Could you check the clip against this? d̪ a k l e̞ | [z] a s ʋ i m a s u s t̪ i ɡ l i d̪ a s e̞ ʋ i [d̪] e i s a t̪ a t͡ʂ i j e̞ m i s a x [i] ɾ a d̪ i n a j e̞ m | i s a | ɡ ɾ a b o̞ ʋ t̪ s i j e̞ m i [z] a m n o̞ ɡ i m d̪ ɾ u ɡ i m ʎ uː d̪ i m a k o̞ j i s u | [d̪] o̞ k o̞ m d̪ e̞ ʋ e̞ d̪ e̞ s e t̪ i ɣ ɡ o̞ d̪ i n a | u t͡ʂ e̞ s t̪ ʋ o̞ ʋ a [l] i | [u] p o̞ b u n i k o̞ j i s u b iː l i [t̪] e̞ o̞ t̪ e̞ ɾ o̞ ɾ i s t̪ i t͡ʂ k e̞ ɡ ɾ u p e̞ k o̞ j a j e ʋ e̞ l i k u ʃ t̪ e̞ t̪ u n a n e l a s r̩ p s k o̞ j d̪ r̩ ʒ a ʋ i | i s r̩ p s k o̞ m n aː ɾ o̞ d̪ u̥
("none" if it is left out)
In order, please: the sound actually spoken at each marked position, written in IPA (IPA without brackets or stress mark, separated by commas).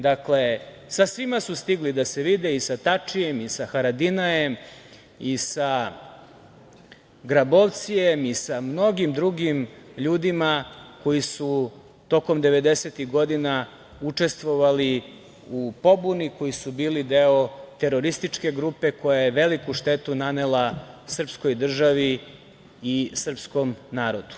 s, d̪, a, s, t̪, l, u, d̪